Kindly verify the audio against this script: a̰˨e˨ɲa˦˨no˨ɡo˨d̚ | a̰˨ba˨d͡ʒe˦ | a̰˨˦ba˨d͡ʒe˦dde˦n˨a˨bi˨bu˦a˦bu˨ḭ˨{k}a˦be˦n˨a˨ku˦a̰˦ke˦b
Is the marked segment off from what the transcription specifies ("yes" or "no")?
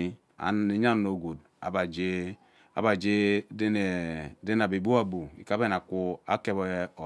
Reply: no